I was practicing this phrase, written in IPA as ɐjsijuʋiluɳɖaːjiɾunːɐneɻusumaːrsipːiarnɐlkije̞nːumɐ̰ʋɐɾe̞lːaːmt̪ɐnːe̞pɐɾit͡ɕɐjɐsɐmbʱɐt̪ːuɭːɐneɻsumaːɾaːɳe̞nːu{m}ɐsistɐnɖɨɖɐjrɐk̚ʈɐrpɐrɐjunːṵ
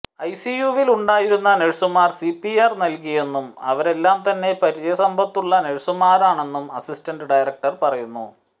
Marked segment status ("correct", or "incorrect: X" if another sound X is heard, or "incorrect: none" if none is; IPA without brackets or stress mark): correct